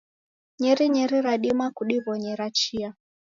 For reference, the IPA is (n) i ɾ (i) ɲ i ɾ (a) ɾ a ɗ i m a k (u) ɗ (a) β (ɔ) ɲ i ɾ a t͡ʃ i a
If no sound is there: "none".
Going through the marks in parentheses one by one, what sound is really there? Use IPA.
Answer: ɲ, i, i, u, i, ɔ

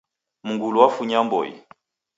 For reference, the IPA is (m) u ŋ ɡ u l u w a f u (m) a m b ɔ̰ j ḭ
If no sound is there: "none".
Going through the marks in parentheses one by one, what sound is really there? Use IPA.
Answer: m, ɲ

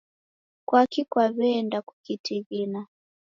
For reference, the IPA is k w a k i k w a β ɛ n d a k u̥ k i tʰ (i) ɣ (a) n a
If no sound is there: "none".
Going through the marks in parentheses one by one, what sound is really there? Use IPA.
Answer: i, i

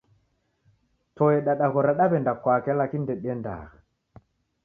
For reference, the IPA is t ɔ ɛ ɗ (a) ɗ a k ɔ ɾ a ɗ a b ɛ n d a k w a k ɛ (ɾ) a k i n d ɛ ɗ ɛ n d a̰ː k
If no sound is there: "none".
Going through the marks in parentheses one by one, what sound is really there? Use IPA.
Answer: a, l

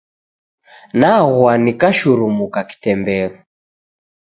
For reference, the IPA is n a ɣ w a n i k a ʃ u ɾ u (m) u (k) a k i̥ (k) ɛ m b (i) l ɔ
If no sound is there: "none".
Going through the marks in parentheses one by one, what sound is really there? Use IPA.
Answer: m, k, t, ɛ

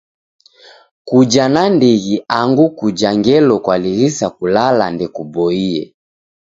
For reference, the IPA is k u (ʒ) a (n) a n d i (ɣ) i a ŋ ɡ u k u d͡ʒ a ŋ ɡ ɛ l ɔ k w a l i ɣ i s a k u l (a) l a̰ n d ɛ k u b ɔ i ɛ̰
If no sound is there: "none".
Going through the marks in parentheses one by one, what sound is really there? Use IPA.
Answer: d͡ʒ, n, ɣ, a

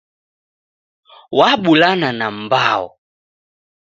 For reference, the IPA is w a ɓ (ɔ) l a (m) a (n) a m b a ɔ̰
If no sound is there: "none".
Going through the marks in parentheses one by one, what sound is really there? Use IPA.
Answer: u, n, n

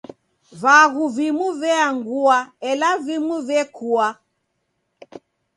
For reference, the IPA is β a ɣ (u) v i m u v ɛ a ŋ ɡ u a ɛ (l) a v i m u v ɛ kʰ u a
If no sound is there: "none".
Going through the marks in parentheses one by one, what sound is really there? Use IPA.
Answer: u, l

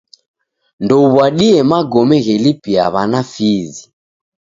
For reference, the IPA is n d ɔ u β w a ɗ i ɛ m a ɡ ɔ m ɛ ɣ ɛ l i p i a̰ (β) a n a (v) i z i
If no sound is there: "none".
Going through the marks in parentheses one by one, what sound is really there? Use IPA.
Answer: β, f

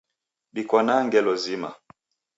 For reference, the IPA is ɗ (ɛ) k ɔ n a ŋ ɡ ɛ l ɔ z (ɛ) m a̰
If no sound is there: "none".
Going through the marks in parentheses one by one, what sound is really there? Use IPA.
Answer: i, i

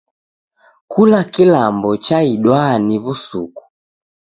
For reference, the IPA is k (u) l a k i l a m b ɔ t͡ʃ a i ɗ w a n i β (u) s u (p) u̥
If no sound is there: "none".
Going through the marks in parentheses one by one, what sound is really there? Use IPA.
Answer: u, u, k

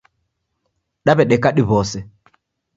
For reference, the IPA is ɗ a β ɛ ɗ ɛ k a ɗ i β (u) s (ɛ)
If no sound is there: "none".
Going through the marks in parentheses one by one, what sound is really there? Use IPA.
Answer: ɔ, ɛ

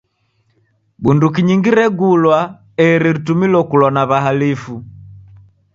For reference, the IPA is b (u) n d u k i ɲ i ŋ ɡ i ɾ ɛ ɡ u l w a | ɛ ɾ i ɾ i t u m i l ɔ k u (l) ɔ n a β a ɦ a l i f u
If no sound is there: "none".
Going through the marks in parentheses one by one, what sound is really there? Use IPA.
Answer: u, l

